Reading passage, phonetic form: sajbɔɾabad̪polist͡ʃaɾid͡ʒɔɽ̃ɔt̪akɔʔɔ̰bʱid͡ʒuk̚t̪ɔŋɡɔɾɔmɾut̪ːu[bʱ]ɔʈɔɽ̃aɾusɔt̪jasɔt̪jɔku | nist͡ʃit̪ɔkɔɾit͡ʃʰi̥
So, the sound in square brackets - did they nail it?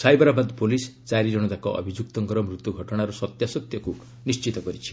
no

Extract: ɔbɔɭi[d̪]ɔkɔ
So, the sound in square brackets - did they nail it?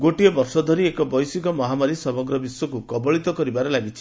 no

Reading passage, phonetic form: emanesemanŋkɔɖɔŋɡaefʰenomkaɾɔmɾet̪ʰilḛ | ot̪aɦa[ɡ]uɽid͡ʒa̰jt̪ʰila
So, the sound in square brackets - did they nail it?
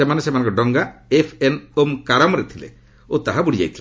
no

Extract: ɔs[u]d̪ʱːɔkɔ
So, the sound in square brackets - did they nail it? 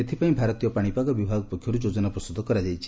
yes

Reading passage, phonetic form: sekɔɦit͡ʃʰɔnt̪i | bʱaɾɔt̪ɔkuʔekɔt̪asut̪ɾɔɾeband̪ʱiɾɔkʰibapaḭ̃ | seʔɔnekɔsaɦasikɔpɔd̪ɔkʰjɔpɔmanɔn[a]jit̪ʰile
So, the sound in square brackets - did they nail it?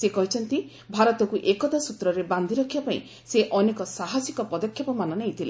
no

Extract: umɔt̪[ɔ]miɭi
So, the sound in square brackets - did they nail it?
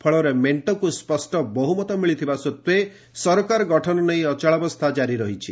yes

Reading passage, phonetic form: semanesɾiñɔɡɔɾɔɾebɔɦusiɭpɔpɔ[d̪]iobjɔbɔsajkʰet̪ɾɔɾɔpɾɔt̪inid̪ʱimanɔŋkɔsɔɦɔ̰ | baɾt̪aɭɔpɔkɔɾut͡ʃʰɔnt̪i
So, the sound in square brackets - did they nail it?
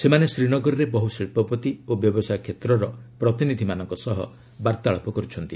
no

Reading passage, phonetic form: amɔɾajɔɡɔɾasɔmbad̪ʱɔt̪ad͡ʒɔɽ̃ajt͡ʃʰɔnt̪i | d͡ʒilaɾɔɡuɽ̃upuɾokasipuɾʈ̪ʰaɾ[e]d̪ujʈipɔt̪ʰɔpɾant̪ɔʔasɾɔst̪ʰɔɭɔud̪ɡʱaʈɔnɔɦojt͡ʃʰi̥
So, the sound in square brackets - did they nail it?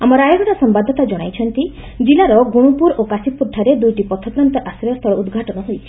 yes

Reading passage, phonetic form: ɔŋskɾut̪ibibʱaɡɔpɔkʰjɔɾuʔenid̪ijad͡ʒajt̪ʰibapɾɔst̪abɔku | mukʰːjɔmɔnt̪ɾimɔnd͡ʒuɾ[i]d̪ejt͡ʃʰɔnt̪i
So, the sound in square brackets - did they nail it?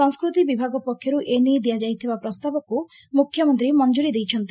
yes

